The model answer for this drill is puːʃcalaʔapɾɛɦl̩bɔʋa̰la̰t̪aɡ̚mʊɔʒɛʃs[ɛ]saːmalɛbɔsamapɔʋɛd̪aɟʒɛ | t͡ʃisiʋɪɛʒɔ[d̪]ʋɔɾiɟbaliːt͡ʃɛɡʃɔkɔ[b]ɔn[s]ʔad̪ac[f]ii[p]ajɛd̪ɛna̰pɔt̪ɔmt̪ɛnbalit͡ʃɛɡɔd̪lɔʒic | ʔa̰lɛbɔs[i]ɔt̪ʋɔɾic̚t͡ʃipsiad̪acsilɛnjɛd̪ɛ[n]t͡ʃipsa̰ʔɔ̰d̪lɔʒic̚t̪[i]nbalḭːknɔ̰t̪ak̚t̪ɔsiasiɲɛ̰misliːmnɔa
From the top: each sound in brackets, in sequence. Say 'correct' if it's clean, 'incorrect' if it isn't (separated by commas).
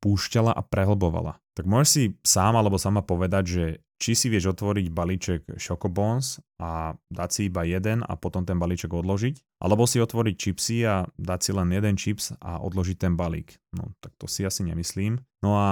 incorrect, incorrect, correct, correct, incorrect, incorrect, correct, correct, incorrect